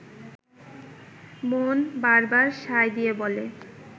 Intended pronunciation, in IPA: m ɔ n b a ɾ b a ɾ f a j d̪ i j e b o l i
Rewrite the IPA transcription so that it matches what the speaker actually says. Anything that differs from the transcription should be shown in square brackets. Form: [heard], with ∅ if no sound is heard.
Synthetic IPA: m [o] n b a ɾ b a ɾ [ʃ] a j d̪ i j e b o l [e]